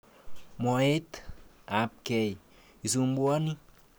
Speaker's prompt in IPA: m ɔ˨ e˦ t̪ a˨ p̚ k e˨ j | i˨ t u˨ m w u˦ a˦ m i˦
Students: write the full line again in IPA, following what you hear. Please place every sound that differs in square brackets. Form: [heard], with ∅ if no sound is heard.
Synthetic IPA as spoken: m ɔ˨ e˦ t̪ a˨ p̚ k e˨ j | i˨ [s] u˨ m [b] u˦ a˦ [n] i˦

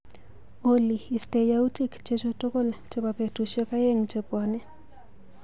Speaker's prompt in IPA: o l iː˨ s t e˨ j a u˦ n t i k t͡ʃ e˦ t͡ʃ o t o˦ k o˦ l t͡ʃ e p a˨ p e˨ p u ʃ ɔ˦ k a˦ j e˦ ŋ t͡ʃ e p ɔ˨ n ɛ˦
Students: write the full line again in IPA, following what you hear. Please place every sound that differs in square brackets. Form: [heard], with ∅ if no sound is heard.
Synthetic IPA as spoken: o l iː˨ s t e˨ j a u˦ [∅] t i k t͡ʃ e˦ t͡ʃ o t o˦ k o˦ l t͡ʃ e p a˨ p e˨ [t] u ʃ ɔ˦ k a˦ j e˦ ŋ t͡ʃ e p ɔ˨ n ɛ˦

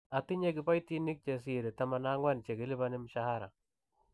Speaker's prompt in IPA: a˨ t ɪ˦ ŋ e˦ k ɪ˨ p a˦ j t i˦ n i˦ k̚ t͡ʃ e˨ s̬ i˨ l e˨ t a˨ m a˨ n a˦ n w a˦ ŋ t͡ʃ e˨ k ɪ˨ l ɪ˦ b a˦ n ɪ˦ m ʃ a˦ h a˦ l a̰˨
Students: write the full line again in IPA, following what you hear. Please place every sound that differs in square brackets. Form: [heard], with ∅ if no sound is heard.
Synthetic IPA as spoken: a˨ t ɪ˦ [ɲ] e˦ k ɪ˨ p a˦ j t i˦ n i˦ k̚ t͡ʃ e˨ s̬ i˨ [ɾ] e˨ t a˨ m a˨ n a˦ [ŋ] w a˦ [n] t͡ʃ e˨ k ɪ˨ l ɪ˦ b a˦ n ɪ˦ m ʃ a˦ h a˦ [ɾ] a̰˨

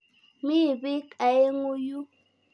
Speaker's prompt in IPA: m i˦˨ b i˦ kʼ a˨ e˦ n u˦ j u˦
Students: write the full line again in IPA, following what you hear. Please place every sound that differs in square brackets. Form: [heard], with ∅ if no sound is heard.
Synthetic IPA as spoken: m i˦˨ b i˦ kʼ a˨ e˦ [ŋ] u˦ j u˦

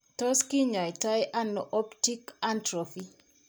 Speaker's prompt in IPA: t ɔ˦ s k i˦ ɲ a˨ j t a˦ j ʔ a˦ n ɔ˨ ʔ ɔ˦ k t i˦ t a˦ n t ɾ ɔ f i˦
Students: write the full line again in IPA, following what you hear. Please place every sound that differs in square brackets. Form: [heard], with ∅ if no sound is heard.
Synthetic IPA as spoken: t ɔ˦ s k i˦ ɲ a˨ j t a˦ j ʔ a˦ n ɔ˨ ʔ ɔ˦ [p] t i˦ [k] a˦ n t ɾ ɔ f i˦

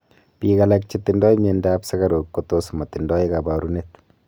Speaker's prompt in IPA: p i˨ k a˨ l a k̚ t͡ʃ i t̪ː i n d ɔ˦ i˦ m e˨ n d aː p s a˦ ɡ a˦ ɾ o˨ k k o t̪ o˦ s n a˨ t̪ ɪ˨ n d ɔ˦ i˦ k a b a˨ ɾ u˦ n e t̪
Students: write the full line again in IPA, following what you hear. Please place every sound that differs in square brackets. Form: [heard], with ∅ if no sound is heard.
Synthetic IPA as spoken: p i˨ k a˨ l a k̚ t͡ʃ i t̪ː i n d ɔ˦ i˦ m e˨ n d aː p s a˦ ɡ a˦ ɾ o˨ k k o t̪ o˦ s [m] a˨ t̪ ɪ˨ n d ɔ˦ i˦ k a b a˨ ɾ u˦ n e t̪

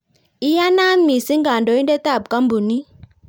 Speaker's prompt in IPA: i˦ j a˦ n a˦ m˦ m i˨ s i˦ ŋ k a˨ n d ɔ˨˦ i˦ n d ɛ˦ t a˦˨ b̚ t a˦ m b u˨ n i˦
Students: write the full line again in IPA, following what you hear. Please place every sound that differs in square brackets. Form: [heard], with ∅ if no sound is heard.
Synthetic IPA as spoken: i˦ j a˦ n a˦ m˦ m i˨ s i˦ ŋ [ɡ] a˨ n d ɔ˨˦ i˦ n d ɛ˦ t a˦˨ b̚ [k] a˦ m b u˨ n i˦

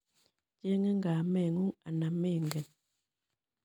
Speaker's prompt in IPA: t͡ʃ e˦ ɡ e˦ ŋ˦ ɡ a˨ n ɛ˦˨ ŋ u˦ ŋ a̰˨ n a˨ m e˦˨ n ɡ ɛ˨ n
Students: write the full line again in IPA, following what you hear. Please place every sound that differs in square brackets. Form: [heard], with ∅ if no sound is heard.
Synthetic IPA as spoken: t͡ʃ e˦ [ŋ] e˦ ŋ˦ ɡ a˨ [m] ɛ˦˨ ŋ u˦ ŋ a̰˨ n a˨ m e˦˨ [ŋ] ɡ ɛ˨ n

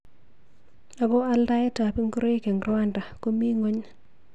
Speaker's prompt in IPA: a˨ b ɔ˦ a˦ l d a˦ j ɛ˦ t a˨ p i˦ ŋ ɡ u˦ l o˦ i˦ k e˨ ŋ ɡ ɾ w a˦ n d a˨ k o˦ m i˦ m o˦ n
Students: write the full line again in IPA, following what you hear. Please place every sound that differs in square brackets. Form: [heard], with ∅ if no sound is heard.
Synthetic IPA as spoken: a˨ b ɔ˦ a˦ l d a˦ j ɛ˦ t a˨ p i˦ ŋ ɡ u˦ [ɾ] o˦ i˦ k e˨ ŋ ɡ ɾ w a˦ n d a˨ k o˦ m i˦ [ŋ] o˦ [ɲ]

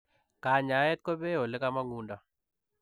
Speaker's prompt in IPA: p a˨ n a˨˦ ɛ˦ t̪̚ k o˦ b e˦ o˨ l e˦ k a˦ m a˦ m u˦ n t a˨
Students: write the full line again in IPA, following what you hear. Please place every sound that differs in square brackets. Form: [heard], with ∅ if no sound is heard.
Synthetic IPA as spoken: [k] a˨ [ɲ] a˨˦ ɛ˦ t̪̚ k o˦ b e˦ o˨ l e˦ k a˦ m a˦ [ŋ] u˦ n [d] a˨

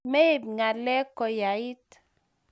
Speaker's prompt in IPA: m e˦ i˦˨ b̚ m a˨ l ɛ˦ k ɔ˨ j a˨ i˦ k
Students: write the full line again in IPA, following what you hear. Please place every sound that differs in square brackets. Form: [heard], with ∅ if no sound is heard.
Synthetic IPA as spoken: m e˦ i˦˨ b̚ [ŋ] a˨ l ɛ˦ k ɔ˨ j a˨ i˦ [t]

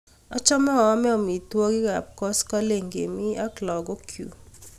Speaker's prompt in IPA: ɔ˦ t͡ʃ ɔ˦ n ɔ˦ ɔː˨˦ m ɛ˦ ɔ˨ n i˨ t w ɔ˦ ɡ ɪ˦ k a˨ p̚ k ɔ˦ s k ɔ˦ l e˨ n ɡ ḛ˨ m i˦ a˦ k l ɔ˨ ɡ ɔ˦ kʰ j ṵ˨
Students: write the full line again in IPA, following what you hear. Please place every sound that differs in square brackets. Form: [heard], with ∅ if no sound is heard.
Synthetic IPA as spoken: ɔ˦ t͡ʃ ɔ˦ [m] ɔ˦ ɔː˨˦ m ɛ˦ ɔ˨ [m] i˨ t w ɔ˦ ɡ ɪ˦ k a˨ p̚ k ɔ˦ s k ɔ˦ l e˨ [ŋ] ɡ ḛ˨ m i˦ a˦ k l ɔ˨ ɡ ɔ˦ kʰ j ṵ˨

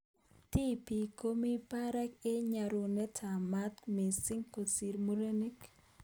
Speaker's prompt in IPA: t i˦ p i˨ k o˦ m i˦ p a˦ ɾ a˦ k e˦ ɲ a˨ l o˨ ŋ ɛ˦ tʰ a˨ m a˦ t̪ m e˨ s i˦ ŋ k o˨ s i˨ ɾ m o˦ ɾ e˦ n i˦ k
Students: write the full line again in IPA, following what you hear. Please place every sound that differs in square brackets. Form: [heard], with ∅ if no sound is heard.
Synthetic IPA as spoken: t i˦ p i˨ k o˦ m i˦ p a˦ ɾ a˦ k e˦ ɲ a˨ [ɾ] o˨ [n] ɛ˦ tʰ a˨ m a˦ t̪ m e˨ s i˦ ŋ k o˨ s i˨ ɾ m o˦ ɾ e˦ n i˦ k

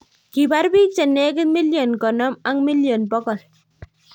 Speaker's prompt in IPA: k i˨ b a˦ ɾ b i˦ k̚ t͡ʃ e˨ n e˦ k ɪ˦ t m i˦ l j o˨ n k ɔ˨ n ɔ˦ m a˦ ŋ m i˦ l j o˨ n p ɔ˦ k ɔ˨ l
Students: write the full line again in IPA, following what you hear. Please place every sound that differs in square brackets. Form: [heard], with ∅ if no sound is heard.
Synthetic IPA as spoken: k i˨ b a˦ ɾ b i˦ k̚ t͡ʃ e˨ n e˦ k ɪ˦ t m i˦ l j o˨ n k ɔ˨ n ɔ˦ m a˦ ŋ m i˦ l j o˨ n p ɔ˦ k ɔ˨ l

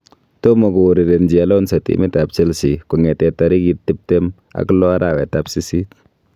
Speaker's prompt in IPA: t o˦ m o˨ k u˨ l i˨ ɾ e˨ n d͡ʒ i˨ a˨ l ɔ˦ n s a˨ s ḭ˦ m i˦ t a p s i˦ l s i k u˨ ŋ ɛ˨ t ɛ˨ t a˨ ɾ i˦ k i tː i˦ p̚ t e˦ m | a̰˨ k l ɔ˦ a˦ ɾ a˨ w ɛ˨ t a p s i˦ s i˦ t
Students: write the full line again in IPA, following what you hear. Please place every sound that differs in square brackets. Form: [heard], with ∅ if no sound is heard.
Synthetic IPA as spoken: t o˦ m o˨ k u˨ [ɾ] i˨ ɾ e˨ n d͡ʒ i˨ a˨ l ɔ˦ n s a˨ [t] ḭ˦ m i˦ t a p s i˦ l s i k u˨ ŋ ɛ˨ t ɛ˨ t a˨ ɾ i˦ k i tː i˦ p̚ t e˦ m | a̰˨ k l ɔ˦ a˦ ɾ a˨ w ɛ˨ t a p s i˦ s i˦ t

